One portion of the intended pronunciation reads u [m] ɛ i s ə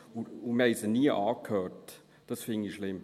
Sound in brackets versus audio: correct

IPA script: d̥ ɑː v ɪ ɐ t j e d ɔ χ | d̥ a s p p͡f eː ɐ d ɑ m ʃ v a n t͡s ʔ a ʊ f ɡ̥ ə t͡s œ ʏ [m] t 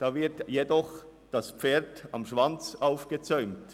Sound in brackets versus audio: correct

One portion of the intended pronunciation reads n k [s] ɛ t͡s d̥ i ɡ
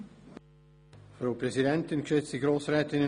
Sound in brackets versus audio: incorrect: ʃ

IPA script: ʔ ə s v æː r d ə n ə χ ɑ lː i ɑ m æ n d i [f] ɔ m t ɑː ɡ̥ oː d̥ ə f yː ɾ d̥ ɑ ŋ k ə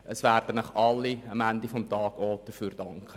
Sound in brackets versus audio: correct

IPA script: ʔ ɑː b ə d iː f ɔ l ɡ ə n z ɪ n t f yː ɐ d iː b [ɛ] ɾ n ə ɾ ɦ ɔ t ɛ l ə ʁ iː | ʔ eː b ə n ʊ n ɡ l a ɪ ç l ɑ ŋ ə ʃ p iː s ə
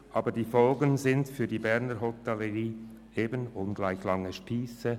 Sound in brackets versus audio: correct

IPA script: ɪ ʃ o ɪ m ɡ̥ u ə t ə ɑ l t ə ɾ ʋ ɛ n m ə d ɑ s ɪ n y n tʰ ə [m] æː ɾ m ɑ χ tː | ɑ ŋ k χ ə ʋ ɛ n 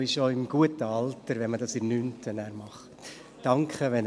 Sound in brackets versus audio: incorrect: n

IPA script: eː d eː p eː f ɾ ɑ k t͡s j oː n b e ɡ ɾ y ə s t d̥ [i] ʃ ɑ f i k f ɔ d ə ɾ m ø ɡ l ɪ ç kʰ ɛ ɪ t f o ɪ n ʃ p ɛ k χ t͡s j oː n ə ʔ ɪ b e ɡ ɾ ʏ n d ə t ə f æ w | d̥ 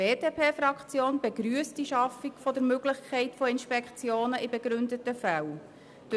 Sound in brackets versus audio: correct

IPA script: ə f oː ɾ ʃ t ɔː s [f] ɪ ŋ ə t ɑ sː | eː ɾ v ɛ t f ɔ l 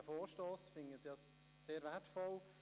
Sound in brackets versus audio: correct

